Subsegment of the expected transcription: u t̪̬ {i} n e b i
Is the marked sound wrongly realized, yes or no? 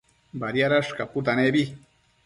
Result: yes